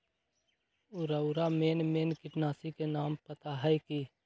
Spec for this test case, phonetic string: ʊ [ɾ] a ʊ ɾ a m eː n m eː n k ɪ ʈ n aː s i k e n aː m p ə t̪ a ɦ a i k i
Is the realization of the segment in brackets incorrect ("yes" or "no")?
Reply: no